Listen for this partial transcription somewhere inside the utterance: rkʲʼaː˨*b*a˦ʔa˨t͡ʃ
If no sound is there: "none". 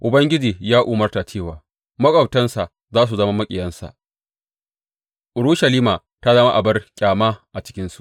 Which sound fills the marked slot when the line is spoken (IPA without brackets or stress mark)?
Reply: m